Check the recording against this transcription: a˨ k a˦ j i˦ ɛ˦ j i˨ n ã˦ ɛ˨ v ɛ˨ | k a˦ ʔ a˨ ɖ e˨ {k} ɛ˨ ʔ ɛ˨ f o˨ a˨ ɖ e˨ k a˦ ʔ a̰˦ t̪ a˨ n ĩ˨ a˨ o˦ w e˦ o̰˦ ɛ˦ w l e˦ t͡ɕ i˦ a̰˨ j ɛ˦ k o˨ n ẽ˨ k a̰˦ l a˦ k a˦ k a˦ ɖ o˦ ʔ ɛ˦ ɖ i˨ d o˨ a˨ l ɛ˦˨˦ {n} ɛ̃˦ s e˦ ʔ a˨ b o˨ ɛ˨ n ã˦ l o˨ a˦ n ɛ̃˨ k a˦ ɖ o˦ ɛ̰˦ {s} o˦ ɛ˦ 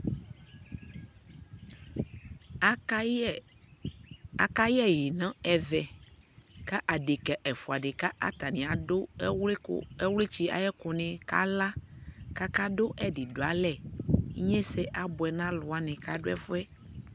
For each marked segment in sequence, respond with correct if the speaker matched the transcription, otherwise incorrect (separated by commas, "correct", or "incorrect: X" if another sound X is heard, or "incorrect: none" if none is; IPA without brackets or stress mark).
correct, incorrect: ɲ, incorrect: f